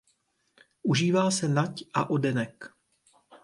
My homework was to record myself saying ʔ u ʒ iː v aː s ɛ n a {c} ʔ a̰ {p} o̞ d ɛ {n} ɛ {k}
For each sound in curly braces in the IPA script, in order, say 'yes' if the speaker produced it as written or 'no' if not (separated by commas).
yes, no, yes, yes